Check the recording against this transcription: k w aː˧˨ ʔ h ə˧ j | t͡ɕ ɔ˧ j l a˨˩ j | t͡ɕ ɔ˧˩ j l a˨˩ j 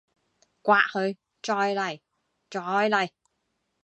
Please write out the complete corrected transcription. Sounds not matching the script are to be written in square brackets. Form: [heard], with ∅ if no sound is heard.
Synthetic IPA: k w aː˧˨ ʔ h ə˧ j | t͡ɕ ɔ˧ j l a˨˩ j | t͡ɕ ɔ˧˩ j l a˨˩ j